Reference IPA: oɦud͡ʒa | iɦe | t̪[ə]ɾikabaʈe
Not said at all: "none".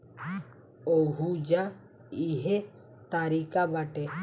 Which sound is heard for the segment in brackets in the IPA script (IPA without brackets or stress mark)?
a